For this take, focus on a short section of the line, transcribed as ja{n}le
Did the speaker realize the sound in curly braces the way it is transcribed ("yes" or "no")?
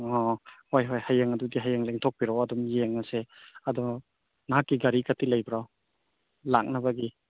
no